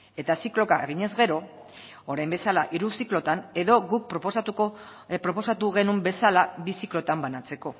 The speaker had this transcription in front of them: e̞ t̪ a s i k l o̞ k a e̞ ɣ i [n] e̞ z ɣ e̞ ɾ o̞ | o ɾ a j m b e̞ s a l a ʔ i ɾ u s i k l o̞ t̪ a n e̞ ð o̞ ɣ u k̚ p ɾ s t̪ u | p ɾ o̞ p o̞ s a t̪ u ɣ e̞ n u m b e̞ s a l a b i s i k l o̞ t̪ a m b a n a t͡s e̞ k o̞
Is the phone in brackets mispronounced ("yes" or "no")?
yes